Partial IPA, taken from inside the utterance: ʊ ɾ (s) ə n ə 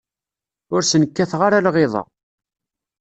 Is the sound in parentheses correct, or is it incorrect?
correct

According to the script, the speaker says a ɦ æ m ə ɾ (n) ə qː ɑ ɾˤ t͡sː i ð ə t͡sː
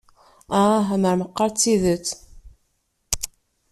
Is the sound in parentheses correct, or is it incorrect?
incorrect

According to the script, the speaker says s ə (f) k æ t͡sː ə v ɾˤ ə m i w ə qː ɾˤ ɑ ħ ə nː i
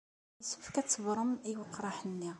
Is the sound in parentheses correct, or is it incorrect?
correct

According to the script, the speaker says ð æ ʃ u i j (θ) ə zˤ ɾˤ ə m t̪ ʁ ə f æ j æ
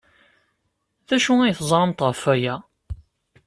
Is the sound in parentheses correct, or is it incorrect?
correct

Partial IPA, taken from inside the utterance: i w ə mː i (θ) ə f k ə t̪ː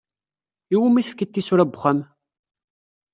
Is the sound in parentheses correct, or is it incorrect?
correct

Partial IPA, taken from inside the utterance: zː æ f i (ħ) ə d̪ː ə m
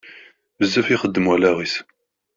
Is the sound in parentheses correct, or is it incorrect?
incorrect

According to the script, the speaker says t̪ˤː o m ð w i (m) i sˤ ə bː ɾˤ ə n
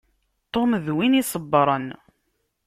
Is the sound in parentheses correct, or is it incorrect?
incorrect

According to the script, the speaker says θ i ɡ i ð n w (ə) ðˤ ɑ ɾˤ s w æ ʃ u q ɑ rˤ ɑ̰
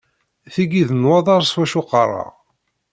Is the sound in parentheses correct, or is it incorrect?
incorrect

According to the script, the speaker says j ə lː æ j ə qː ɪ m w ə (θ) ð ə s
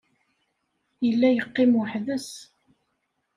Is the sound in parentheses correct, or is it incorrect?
incorrect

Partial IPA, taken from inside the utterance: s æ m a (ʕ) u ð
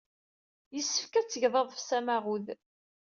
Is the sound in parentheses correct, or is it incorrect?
incorrect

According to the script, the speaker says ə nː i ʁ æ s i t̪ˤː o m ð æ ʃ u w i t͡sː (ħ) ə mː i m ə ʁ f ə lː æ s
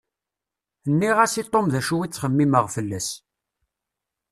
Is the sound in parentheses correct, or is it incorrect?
incorrect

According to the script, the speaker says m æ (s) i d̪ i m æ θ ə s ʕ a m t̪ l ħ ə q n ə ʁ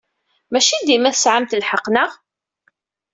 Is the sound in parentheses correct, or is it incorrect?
incorrect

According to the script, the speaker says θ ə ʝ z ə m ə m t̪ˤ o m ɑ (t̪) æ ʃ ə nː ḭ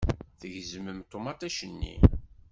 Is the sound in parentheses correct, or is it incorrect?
correct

